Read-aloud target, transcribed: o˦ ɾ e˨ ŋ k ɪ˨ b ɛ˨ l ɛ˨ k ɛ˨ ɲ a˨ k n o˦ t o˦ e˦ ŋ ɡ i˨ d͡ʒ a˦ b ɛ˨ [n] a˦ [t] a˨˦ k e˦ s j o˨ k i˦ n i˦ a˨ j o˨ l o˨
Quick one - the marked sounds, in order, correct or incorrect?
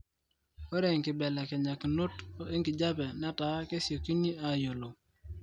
correct, correct

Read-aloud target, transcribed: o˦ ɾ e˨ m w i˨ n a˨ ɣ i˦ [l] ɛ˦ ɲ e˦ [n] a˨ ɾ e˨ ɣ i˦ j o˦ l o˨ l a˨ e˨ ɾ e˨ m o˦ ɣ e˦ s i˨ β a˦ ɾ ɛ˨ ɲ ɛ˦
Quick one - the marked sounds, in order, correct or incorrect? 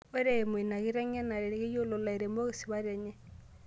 incorrect: ɾ, correct

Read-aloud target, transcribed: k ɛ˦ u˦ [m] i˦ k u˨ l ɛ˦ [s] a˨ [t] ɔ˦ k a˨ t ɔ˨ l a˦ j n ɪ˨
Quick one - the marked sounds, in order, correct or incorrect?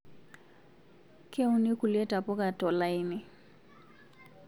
incorrect: n, incorrect: t, incorrect: p

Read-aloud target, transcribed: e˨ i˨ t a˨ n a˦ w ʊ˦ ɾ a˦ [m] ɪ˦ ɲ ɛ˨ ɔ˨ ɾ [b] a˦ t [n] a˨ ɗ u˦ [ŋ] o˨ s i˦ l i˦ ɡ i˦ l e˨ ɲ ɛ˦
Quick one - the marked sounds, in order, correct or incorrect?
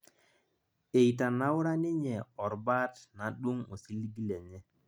incorrect: n, correct, correct, correct

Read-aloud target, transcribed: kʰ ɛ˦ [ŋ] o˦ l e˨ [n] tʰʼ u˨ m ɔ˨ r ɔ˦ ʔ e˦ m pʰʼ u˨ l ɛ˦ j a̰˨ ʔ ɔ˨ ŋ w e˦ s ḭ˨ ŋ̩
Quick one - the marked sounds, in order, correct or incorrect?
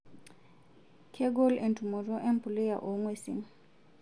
incorrect: ɡ, correct

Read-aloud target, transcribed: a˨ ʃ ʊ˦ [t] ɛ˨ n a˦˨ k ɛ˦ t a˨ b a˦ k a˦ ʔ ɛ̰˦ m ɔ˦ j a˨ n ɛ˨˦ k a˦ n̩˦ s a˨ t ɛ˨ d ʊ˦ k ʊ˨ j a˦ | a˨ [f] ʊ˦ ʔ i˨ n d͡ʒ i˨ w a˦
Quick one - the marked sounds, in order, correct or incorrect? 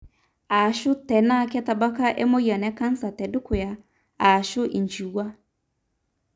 correct, incorrect: ʃ

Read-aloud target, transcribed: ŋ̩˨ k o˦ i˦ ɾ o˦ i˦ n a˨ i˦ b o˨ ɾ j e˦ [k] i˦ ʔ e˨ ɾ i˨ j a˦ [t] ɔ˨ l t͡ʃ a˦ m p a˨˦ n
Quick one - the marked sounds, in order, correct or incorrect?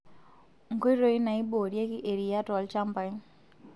correct, correct

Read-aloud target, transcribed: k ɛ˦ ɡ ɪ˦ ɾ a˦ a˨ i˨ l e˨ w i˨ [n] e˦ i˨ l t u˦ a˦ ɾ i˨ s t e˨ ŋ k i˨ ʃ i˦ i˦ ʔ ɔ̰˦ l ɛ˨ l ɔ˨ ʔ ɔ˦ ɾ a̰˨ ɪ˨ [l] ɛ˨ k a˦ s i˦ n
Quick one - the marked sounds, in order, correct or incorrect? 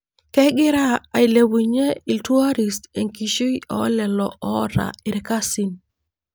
incorrect: ɲ, incorrect: ɾ

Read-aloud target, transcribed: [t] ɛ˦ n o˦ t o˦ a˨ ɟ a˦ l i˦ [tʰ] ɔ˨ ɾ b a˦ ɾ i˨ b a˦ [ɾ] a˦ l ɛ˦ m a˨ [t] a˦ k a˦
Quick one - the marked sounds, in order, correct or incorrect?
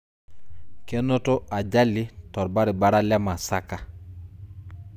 incorrect: k, incorrect: t, correct, incorrect: s

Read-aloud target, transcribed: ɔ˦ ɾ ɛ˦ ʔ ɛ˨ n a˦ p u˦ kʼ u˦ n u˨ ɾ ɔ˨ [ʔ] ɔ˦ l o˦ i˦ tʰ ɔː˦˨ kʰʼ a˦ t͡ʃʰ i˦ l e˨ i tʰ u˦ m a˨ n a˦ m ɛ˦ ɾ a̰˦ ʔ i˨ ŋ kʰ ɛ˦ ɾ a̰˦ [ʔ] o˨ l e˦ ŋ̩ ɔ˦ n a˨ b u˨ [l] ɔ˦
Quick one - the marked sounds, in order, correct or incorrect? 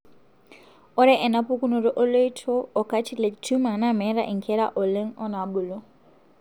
correct, correct, correct

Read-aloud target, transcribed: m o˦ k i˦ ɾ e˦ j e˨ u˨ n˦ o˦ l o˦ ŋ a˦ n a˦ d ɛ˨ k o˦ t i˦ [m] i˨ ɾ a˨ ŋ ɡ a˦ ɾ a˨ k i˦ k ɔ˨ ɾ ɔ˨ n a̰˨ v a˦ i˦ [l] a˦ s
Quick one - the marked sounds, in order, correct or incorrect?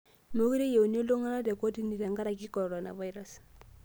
incorrect: n, incorrect: ɾ

